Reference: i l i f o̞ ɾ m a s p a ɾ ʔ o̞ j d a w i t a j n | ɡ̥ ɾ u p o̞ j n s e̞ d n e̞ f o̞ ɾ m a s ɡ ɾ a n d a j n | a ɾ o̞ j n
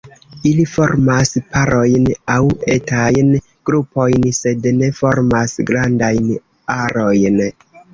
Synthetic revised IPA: i l i f o̞ ɾ m a s p a ɾ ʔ o̞ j n a w e t a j n | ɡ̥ ɾ u p o̞ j n s e̞ d n e̞ f o̞ ɾ m a s ɡ ɾ a n d a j n | a ɾ o̞ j n